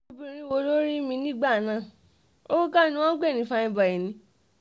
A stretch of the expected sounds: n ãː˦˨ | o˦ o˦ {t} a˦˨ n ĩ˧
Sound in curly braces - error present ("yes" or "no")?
yes